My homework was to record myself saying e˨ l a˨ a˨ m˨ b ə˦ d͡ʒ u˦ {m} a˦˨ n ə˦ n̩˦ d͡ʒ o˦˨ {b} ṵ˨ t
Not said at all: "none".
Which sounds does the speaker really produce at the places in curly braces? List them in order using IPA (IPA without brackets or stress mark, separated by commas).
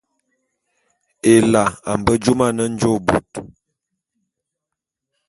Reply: m, b